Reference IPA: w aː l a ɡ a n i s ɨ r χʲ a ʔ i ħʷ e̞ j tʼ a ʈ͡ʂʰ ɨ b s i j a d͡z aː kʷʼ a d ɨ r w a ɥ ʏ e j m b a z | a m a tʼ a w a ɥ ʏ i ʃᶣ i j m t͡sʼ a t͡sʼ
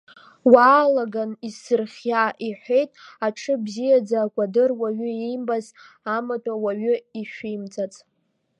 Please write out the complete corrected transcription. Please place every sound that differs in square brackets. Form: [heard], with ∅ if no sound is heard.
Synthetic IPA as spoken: w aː l a ɡ a n i s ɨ r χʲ a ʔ i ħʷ e̞ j tʼ a ʈ͡ʂʰ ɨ b [z] i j a d͡z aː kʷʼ a d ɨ r w a ɥ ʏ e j m b a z | a m a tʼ a w a ɥ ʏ i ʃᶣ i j m t͡sʼ a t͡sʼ